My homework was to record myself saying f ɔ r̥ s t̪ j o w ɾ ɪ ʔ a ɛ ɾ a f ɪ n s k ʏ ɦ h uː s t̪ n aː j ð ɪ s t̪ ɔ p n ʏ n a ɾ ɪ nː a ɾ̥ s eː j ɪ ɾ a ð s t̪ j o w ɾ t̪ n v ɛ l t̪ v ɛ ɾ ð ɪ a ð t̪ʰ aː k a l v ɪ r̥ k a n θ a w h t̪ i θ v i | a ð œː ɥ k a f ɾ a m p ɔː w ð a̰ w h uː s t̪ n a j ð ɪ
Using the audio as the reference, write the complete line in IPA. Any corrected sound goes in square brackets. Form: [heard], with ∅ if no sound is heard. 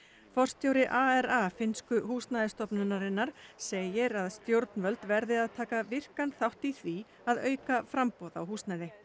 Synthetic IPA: f ɔ r̥ s t̪ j o w ɾ ɪ ʔ a ɛ ɾ a f ɪ n s k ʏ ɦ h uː s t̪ n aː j ð ɪ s t̪ ɔ p n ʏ n a ɾ ɪ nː a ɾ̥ s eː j ɪ ɾ a ð s t̪ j o w ɾ t̪ n v [œ] l t̪ v ɛ ɾ ð ɪ a ð t̪ʰ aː k a [∅] v ɪ r̥ k a n θ a w h t̪ i θ v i | a ð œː ɥ k a f ɾ a m p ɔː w ð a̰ w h uː s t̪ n a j ð ɪ